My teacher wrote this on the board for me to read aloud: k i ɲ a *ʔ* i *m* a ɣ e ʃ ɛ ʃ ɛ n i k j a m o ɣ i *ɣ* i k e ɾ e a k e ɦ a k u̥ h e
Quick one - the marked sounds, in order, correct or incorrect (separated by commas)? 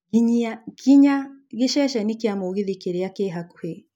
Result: incorrect, incorrect, incorrect